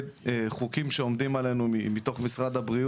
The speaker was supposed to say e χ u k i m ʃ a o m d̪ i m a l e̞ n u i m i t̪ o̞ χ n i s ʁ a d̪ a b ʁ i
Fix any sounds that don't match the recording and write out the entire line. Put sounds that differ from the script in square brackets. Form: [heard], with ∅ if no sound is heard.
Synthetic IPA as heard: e χ u k i m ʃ [e] o m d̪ i m a l e̞ n u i m i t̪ o̞ χ [m] i s ʁ a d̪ a b ʁ i